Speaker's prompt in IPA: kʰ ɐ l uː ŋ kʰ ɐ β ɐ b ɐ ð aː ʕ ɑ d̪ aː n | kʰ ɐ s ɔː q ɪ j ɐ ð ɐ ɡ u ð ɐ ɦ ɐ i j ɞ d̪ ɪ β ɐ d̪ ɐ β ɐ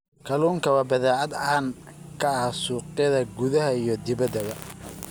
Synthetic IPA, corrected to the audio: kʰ ɐ l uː ŋ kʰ ɐ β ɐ b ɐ ð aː ʕ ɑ d̪ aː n | kʰ ɐ s uː q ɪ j ɐ ð ɐ ɡ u ð ɐ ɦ ɐ i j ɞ d̪ ɪ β ɐ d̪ ɐ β ɐ